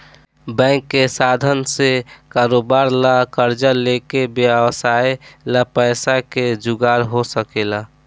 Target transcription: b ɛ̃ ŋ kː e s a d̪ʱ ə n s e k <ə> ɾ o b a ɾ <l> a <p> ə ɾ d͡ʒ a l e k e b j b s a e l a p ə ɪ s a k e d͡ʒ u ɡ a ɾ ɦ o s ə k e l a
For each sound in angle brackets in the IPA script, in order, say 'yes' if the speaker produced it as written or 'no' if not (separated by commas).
no, yes, no